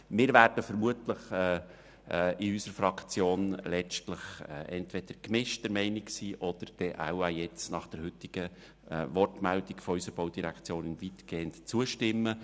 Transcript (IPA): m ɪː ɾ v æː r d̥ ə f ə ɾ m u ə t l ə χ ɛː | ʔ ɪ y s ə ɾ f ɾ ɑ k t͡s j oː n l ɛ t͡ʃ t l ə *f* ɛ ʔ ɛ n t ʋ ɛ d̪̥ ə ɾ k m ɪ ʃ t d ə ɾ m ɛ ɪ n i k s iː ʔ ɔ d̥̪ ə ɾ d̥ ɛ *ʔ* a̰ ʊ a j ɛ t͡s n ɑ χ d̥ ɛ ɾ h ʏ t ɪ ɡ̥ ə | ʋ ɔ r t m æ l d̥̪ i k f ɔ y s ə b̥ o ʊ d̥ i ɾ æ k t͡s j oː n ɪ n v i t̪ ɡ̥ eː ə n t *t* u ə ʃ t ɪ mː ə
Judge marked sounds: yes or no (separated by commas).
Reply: no, yes, no